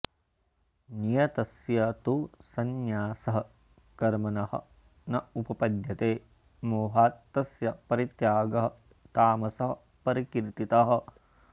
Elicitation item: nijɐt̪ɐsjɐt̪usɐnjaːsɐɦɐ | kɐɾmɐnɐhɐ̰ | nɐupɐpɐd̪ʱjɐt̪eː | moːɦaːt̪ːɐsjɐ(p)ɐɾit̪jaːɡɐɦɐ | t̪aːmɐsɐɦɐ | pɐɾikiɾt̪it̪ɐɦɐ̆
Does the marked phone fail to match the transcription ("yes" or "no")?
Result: no